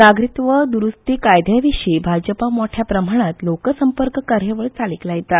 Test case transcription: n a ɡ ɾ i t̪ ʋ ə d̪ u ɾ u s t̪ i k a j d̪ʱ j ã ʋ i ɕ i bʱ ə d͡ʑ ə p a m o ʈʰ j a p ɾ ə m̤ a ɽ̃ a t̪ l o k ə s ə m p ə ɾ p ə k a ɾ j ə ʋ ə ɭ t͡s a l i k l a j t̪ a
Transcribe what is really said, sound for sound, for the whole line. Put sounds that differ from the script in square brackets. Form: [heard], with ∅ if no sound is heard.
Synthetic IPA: n a ɡ ɾ i t̪ ʋ ə d̪ u ɾ u s t̪ i k a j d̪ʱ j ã ʋ i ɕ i bʱ [a] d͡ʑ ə p a m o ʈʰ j a p ɾ ə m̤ a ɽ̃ a t̪ l o k ə s ə m p ə ɾ [k] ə k a ɾ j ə ʋ ə ɭ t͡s a l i k l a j t̪ a